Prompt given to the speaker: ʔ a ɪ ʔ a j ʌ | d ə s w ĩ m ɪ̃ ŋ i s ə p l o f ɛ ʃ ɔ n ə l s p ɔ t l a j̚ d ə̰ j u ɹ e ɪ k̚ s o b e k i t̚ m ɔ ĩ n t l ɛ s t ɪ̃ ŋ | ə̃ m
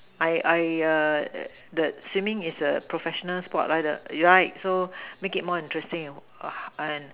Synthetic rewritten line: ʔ a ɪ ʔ a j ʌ | d ə s w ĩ m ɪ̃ ŋ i s ə p ɹ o f ɛ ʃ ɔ n ə l s p ɔ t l a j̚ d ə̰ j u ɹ a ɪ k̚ s o m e k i t̚ m ɔ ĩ n t ɹ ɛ s t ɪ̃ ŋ | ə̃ n